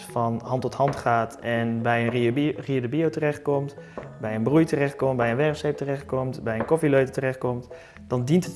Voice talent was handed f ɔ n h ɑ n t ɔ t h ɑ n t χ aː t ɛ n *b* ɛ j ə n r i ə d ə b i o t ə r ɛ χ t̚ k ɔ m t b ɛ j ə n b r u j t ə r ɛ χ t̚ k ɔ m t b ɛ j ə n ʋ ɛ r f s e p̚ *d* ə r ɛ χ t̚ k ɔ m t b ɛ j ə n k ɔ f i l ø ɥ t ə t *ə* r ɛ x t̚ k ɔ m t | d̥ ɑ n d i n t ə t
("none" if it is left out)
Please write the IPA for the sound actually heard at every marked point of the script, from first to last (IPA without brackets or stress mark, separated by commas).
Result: b, t, ə